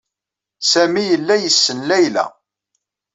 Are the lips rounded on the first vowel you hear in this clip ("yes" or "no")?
no